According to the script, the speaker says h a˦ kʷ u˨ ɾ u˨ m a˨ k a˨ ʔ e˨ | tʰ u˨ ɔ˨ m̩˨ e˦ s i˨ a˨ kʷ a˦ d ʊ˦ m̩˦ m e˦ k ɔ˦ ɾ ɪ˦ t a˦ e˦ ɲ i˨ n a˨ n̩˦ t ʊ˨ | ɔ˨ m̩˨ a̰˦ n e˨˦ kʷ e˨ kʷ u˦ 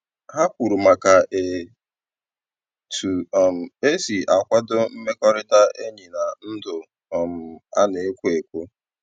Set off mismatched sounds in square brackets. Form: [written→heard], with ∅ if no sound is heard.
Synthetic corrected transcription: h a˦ kʷ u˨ ɾ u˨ m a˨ k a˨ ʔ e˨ | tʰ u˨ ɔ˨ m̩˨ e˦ s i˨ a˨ kʷ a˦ d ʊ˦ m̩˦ m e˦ k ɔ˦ ɾ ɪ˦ t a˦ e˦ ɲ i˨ n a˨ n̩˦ [t→d] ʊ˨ | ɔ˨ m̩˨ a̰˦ n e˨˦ kʷ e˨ kʷ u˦